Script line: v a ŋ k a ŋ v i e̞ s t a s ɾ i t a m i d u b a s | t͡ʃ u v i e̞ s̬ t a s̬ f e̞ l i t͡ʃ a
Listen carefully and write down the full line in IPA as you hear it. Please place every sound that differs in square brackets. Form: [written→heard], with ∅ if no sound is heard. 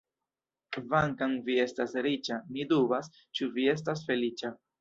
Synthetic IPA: v a ŋ k a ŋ v i e̞ s t a s ɾ i [t→t͡ʃ] a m i d u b a s | t͡ʃ u v i e̞ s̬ t a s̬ f e̞ l i t͡ʃ a